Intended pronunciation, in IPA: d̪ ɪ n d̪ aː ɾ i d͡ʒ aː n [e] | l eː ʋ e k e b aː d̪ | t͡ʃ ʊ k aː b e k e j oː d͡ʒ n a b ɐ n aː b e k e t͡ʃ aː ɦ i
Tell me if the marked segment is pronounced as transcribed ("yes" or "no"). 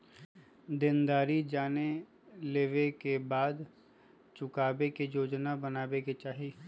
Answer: yes